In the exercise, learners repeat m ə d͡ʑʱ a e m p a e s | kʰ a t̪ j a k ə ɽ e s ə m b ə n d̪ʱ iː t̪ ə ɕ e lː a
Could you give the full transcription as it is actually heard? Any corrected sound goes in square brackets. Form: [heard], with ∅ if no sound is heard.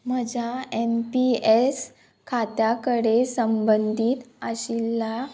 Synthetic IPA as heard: m ə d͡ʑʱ a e m p [i] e s | kʰ a t̪ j a k ə ɽ e s ə m b ə n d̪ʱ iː t̪ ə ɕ [i] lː a